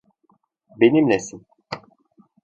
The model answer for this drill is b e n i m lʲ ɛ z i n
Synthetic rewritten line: b e n i m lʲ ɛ s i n